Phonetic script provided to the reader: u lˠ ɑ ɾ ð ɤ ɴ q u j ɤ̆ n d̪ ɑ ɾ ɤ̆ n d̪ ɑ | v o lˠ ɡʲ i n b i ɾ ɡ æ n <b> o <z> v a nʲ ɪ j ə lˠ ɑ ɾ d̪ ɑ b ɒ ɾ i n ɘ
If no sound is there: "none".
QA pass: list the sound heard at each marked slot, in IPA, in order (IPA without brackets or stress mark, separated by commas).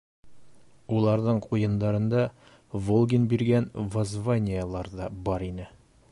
v, z